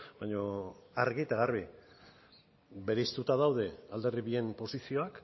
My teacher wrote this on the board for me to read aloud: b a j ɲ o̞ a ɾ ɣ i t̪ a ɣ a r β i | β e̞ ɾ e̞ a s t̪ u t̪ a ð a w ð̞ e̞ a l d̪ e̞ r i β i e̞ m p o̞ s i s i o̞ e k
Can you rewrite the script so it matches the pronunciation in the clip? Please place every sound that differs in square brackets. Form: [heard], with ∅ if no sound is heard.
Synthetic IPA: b a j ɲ o̞ a ɾ ɣ i t̪ a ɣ a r β i | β e̞ ɾ e̞ [i] s t̪ u t̪ a ð a w ð̞ e̞ a l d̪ e̞ r i β i e̞ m p o̞ s i s i o̞ [a] k